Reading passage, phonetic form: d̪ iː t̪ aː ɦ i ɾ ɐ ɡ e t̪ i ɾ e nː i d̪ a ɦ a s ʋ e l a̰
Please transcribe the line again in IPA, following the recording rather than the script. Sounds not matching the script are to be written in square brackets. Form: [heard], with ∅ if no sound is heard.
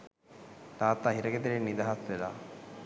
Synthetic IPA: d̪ [aː] t̪ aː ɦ i ɾ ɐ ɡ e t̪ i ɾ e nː i d̪ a ɦ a s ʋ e l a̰

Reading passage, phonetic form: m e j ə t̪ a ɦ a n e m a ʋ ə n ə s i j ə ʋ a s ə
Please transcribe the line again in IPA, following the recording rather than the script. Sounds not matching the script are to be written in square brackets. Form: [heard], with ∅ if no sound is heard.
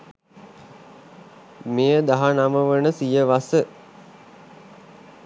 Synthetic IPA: m e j ə [d̪] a ɦ a n [a] m [ə] ʋ ə n ə s i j ə ʋ a s ə

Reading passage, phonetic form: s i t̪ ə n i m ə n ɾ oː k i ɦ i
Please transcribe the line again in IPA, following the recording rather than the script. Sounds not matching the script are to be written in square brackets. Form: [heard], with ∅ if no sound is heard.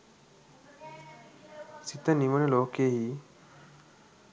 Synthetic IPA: s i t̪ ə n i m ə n [l] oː k [e] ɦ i

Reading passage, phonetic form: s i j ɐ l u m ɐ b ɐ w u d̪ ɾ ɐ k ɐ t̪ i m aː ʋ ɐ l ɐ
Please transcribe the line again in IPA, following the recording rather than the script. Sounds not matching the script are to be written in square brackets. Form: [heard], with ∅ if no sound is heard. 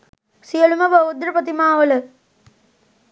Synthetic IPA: s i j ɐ l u m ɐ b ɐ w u d̪ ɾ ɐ [p] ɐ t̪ i m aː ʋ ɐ l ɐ

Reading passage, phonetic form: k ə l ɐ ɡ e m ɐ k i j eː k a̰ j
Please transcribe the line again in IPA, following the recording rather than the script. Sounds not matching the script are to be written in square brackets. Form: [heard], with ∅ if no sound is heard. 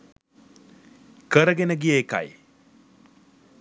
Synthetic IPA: k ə [ɾ] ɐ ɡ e [n] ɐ [ɡ] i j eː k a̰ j

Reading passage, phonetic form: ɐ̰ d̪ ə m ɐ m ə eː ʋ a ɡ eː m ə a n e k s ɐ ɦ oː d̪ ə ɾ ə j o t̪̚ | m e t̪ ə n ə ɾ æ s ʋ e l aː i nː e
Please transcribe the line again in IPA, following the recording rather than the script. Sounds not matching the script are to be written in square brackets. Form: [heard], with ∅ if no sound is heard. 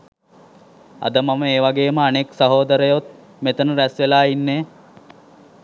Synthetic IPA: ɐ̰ d̪ ə m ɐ m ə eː ʋ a ɡ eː m ə a n e k s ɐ ɦ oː d̪ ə ɾ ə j o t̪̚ | m e t̪ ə n ə ɾ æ s ʋ e l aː i nː e

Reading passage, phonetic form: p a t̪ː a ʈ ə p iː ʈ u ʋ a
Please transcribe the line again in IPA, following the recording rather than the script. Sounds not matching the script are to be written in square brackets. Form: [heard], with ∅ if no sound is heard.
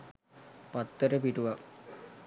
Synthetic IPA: p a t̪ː [ə] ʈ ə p [i] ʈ u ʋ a

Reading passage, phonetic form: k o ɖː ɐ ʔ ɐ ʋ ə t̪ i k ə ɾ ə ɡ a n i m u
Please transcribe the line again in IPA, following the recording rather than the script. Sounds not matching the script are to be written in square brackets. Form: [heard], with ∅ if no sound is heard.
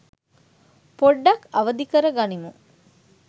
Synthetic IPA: [p] o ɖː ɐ [k] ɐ ʋ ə [d̪] i k ə ɾ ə ɡ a n i m u

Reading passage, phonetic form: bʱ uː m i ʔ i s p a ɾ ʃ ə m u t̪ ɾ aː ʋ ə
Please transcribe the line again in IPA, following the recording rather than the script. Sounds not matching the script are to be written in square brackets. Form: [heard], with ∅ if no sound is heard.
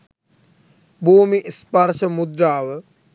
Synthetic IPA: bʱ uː m i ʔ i s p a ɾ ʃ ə m u [d̪] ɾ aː ʋ ə

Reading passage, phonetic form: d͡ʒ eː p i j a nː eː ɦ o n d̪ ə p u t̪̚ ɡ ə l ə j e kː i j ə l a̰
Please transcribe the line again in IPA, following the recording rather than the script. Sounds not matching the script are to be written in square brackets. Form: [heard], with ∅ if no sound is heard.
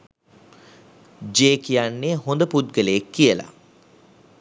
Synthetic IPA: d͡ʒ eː [k] i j a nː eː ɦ o n d̪ ə p u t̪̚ ɡ ə l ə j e kː i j ə l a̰

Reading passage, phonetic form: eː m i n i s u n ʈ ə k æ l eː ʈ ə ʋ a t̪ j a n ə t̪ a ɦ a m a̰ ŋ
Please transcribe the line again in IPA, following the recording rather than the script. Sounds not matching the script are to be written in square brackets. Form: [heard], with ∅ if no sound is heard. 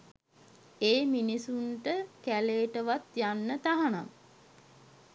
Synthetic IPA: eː m i n i s u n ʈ ə k æ l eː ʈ ə ʋ a t̪ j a [nː] ə t̪ a ɦ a [n] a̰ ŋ

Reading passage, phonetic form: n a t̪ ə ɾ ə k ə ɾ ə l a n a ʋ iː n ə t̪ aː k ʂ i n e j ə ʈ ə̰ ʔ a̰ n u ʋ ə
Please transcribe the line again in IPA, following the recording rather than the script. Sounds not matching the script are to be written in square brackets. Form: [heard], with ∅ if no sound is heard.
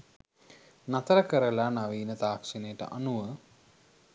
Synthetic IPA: n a t̪ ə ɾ ə k ə ɾ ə l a n a ʋ iː n ə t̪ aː k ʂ i n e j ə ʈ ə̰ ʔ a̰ n u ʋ ə

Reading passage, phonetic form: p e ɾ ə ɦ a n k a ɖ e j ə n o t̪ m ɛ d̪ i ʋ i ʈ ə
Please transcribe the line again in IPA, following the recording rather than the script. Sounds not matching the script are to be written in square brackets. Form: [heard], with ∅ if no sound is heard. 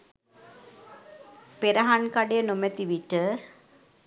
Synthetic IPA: p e ɾ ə ɦ a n k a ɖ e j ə n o [∅] m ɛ [t̪] i ʋ i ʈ ə

